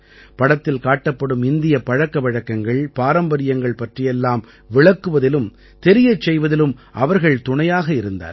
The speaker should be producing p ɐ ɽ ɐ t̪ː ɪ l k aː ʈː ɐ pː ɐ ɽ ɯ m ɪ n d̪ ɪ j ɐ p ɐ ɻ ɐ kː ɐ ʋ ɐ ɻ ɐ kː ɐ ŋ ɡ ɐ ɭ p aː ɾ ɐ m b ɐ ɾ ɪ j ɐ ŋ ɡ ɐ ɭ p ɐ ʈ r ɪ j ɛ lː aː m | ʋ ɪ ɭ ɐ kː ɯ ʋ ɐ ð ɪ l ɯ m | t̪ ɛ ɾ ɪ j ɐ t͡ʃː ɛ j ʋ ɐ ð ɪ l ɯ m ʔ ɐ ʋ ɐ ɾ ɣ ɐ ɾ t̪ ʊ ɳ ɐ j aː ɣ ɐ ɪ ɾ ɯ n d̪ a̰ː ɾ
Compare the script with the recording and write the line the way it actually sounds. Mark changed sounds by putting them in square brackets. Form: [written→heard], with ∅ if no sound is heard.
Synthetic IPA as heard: p ɐ ɽ ɐ t̪ː ɪ l k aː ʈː ɐ pː ɐ ɽ ɯ m ɪ n d̪ ɪ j ɐ p ɐ ɻ ɐ kː ɐ ʋ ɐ ɻ ɐ kː ɐ ŋ ɡ ɐ ɭ p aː ɾ ɐ m b ɐ ɾ ɪ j ɐ ŋ ɡ ɐ ɭ p ɐ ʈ r ɪ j ɛ lː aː m | ʋ ɪ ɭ ɐ kː ɯ ʋ ɐ ð ɪ l ɯ m | t̪ ɛ ɾ ɪ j ɐ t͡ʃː ɛ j ʋ ɐ ð ɪ l ɯ m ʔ ɐ ʋ ɐ ɾ ɣ ɐ [ɾ→ɭ] t̪ ʊ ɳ ɐ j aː ɣ ɐ ɪ ɾ ɯ n d̪ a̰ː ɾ